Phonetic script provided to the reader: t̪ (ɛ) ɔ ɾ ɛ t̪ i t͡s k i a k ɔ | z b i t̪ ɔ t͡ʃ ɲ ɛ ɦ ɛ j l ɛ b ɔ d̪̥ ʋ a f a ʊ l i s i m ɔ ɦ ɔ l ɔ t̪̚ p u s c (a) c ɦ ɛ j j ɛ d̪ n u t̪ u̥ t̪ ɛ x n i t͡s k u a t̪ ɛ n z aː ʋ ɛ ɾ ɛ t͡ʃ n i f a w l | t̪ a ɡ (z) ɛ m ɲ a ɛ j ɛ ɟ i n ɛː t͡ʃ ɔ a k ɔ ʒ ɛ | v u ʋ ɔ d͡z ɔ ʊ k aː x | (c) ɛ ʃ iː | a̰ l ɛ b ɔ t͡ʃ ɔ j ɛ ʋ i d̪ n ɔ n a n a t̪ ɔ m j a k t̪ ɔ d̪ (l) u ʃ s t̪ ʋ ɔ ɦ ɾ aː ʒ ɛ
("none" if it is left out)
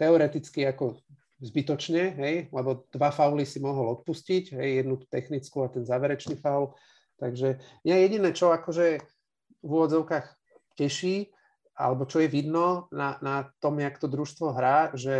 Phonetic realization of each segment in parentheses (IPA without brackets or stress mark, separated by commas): ɛ, i, ʒ, c, ɾ